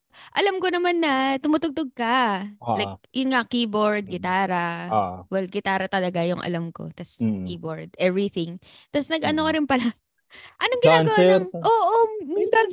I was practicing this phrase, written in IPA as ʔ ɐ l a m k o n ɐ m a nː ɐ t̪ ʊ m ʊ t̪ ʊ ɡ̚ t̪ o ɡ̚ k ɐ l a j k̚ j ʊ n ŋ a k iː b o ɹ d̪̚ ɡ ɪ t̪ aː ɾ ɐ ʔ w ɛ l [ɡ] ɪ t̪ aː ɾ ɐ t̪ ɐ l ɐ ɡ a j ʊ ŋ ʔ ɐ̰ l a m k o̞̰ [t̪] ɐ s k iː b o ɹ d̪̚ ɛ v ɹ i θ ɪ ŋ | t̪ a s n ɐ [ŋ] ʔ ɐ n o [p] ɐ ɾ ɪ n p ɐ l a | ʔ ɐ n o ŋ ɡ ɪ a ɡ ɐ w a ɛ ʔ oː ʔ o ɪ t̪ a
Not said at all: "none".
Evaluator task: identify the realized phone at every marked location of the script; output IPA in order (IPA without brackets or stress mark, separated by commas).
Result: ɡ, t̪, ɡ, k